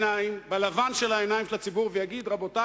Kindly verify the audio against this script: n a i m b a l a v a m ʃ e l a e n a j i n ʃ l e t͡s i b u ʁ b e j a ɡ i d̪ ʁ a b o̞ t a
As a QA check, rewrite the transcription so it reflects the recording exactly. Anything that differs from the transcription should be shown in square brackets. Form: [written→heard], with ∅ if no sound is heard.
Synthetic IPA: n a i m b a l a v a [m→n] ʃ e l a e n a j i [n→m] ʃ l [e→a] t͡s i b u ʁ [b→v] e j a ɡ i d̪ ʁ a b o̞ t a